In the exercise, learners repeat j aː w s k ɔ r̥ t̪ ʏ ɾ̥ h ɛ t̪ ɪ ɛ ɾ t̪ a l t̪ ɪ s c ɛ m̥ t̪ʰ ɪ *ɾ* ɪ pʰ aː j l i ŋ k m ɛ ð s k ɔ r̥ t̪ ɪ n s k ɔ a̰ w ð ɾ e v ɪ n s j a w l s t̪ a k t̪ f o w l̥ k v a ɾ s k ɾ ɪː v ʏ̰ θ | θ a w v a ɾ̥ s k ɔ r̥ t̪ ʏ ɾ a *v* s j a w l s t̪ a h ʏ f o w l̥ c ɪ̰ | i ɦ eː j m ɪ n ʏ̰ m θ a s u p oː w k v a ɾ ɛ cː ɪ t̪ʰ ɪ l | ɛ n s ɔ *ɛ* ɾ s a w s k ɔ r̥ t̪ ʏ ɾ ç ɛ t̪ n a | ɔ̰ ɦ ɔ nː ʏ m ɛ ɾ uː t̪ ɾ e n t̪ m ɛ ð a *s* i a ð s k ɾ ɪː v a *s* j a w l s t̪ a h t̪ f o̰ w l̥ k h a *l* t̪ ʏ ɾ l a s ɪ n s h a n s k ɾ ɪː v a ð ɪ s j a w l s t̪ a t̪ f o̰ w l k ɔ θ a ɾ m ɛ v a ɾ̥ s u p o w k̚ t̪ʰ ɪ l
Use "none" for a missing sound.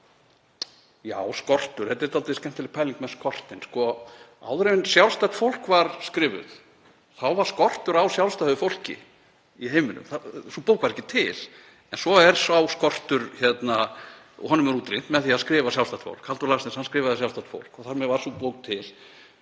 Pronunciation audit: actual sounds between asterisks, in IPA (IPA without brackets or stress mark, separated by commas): l, w, ɛ, θ, s, l